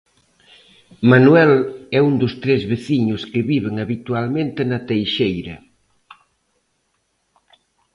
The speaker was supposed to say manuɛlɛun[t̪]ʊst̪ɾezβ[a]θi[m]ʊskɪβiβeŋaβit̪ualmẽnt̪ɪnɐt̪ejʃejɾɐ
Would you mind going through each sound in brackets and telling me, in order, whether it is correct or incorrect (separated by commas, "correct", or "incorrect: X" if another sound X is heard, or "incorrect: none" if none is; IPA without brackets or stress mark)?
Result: incorrect: d̪, incorrect: e, incorrect: ɲ